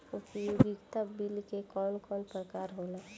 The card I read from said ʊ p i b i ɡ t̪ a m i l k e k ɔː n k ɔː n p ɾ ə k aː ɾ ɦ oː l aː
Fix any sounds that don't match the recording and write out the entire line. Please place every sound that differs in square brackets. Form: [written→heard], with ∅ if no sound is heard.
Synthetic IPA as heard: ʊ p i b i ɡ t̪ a [m→b] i l k e k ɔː n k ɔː n p ɾ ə k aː ɾ ɦ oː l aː